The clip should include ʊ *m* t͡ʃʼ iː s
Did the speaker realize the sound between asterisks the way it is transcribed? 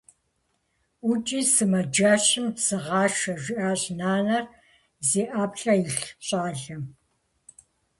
no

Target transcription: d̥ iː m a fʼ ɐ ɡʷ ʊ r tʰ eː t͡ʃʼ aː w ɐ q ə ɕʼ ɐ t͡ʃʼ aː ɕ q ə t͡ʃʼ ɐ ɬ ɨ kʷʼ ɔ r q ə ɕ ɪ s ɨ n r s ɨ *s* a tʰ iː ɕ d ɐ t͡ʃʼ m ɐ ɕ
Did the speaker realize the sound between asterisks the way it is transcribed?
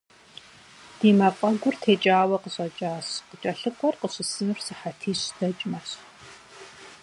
no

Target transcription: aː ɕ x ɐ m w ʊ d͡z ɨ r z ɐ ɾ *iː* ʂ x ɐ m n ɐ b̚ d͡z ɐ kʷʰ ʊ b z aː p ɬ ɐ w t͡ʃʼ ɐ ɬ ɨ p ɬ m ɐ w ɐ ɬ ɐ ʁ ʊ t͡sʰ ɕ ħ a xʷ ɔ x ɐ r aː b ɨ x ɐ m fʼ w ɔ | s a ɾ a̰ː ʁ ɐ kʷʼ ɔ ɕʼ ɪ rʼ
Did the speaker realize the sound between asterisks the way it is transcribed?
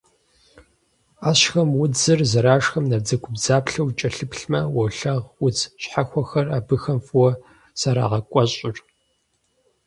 no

